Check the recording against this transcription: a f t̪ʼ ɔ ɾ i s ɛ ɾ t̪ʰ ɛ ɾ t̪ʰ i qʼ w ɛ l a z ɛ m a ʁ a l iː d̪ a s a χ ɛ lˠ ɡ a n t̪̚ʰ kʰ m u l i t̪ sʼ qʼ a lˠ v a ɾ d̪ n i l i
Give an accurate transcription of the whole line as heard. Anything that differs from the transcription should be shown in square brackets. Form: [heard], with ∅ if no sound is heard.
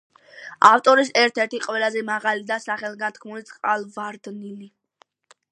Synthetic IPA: a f t̪ʼ ɔ ɾ i s ɛ ɾ t̪ʰ ɛ ɾ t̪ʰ i qʼ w ɛ l a z ɛ m a ʁ a l [i] d̪ a s a χ ɛ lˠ ɡ a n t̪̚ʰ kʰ m u l i t̪ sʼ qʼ a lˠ v a ɾ d̪ n i l i